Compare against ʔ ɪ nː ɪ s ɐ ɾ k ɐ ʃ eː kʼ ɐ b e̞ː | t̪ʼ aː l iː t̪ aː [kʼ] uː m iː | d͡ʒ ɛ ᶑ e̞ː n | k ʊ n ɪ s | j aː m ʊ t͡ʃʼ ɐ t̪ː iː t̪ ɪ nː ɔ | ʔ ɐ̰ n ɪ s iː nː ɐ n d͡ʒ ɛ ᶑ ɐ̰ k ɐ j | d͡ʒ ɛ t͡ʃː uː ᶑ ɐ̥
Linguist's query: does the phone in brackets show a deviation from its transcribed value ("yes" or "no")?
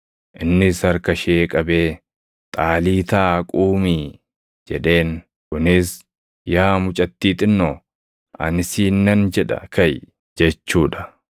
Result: no